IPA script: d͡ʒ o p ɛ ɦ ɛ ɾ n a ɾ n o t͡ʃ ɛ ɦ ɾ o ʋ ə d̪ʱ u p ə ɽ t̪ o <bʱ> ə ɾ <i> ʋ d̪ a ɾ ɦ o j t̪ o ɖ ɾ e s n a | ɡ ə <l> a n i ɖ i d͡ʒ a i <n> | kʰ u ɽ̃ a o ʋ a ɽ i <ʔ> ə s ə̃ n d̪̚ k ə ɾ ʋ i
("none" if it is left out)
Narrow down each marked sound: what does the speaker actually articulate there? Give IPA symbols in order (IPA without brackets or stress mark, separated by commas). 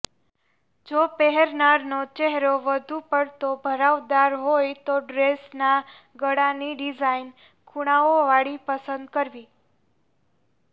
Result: bʱ, a, ɽ, n, p